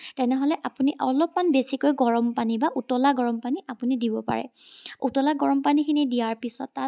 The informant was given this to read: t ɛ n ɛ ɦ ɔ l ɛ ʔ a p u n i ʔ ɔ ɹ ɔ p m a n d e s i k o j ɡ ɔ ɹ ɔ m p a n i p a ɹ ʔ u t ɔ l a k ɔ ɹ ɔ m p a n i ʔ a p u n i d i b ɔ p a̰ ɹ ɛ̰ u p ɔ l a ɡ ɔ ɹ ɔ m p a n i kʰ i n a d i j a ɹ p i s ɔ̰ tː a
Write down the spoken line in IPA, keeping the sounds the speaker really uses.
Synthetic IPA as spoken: t ɛ n ɛ ɦ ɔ l ɛ ʔ a p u n i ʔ ɔ l ɔ p m a n b e s i k o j ɡ ɔ ɹ ɔ m p a n i b a ʔ u t ɔ l a ɡ ɔ ɹ ɔ m p a n i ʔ a p u n i d i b ɔ p a̰ ɹ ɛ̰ u t ɔ l a ɡ ɔ ɹ ɔ m p a n i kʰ i n i d i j a ɹ p i s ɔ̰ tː a